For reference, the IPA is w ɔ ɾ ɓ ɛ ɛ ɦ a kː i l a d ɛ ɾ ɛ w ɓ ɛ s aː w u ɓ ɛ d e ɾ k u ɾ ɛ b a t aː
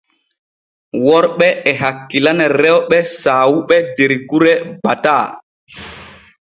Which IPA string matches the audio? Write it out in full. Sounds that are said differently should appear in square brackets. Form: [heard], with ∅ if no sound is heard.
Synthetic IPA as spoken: w ɔ ɾ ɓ ɛ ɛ ɦ a kː i l a [n] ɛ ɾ ɛ w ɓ ɛ s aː w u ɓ ɛ d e ɾ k u ɾ ɛ b a t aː